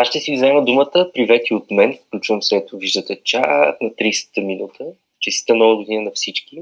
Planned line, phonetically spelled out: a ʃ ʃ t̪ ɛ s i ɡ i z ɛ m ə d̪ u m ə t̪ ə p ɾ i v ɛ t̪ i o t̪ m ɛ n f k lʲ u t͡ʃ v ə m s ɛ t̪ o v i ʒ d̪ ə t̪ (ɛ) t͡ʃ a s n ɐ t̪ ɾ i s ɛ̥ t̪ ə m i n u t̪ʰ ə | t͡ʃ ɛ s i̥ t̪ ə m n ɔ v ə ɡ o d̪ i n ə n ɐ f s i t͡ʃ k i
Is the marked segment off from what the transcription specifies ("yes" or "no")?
no